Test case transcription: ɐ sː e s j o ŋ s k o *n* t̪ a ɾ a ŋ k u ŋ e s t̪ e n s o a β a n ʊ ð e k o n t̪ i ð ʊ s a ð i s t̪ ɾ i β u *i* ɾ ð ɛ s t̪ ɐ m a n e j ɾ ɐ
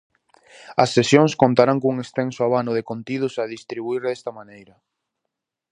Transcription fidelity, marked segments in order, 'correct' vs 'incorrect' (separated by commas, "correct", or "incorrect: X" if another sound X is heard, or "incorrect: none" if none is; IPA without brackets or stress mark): correct, correct